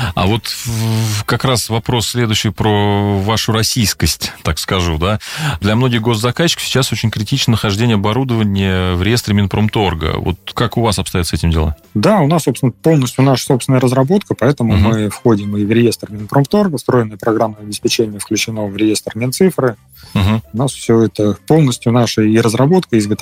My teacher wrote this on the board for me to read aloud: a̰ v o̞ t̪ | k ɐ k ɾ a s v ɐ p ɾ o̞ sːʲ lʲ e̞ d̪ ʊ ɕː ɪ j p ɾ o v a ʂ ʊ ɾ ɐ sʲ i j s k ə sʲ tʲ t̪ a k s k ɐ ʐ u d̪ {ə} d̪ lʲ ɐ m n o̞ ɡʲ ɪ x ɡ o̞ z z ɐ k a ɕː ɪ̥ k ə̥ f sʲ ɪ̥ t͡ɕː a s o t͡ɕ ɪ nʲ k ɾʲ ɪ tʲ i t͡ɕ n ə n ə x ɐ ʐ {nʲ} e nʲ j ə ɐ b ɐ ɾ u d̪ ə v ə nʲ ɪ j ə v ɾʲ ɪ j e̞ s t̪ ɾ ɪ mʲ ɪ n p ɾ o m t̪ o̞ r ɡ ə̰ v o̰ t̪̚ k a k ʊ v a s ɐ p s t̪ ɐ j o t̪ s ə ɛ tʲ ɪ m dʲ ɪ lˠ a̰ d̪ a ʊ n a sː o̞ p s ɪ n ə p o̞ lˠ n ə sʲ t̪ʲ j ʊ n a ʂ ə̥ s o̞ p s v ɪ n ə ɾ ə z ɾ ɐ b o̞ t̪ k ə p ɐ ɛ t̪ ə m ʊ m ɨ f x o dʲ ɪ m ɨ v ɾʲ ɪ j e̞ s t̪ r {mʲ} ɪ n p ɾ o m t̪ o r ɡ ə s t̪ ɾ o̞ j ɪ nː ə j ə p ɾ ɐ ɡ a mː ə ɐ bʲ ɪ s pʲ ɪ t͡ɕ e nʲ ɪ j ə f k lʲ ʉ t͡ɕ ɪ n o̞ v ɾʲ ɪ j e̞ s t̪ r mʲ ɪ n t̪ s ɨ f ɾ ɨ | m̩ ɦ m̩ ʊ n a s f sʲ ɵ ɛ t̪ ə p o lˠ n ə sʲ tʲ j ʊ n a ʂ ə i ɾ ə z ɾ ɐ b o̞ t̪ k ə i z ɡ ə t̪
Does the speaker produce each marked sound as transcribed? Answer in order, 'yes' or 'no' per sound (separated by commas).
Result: no, no, yes